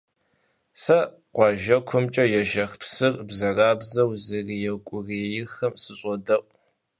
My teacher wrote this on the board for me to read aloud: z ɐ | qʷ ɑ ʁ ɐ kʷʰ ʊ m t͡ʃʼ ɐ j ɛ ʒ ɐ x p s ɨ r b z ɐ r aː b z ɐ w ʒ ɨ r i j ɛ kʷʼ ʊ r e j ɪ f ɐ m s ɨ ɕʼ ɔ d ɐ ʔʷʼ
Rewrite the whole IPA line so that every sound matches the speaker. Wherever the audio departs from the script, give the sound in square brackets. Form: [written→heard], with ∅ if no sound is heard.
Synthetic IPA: [z→s] ɐ | qʷ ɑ [ʁ→ʒ] ɐ kʷʰ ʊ m t͡ʃʼ ɐ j ɛ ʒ ɐ x p s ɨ r b z ɐ r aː b z ɐ w [ʒ→z] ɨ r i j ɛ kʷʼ ʊ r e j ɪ [f→x] ɐ m s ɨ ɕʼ ɔ d ɐ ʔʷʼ

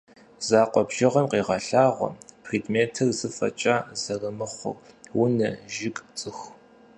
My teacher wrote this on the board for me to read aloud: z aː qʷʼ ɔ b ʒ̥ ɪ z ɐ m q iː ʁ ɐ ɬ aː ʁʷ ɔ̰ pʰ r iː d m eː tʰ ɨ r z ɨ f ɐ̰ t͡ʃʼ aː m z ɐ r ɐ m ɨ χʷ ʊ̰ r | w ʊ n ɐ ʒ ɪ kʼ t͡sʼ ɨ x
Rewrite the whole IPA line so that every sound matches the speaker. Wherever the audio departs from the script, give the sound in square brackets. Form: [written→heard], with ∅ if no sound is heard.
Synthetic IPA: z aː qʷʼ ɔ b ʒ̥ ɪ [z→ʁ] ɐ m q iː ʁ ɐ ɬ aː ʁʷ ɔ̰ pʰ r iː d m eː tʰ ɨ r z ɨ f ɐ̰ t͡ʃʼ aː [m→∅] z ɐ r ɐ m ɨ χʷ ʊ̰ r | w ʊ n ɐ ʒ ɪ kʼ t͡sʼ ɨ x

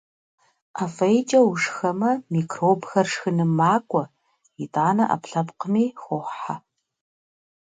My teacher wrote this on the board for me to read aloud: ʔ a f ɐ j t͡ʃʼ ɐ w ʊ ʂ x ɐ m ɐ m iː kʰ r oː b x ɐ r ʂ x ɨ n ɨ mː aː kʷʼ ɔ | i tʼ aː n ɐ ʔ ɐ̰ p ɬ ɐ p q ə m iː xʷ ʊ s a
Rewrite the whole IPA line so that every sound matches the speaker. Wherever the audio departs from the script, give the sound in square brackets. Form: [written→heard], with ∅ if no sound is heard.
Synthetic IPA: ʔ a f ɐ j t͡ʃʼ ɐ w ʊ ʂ x ɐ m ɐ m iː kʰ r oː b x ɐ r ʂ x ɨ n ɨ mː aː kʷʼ ɔ | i tʼ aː n ɐ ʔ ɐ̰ p ɬ ɐ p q ə m iː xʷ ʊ [s→ħ] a

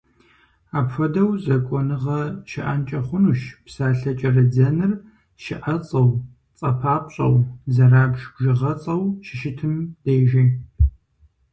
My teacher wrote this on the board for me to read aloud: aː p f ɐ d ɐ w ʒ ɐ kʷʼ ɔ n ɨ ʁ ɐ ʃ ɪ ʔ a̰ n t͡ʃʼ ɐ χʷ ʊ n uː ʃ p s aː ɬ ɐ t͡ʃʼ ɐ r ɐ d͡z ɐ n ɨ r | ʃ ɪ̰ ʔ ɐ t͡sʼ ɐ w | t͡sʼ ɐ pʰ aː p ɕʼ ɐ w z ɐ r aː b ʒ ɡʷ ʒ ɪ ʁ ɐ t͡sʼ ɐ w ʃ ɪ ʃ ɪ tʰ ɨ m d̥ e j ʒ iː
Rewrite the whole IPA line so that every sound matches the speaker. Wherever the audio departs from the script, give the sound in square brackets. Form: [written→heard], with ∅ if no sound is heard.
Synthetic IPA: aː p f ɐ d ɐ w [ʒ→z] ɐ kʷʼ ɔ n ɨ ʁ ɐ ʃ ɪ ʔ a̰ n t͡ʃʼ ɐ χʷ ʊ n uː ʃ p s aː ɬ ɐ t͡ʃʼ ɐ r ɐ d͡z ɐ n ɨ r | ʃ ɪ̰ ʔ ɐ t͡sʼ ɐ w | t͡sʼ ɐ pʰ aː p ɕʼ ɐ w z ɐ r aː b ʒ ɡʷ ʒ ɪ ʁ ɐ t͡sʼ ɐ w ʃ ɪ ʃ ɪ tʰ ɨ m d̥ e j ʒ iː

